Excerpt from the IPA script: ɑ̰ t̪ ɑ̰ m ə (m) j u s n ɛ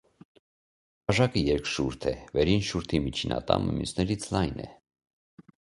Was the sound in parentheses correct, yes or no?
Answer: yes